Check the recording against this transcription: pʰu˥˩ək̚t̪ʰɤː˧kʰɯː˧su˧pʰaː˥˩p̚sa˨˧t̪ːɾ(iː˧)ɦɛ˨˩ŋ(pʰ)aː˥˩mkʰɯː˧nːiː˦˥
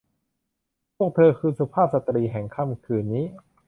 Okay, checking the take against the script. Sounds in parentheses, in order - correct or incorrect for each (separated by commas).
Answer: correct, incorrect